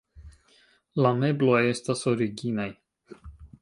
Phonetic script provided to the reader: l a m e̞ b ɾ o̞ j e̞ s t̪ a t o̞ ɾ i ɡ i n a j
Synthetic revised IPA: l a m e̞ b l o̞ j e̞ s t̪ a s o̞ ɾ i ɡ i n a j